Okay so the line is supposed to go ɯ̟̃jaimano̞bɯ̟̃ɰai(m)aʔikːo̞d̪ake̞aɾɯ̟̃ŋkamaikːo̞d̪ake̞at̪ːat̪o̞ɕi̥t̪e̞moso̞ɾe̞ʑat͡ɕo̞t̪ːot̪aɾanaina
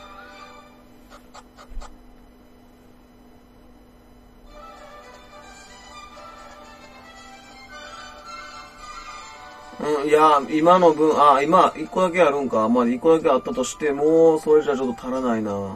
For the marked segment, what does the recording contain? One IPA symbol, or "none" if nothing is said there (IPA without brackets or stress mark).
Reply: m